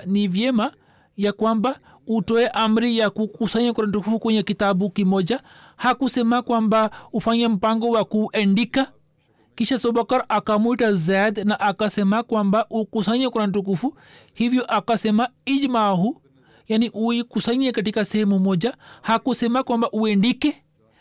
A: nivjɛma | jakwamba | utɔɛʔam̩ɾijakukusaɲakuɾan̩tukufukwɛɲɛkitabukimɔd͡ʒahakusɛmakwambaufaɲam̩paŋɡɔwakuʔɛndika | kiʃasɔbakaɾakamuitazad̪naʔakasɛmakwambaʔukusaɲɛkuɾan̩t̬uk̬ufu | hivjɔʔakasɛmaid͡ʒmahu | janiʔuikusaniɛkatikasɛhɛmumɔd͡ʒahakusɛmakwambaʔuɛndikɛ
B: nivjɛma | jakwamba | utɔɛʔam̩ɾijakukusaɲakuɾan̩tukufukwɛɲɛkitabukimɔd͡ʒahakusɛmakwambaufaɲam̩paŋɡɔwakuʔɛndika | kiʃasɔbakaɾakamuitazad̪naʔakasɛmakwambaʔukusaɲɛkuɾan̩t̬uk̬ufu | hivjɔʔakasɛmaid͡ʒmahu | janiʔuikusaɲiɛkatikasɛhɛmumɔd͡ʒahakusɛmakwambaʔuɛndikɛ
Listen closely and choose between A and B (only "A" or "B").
B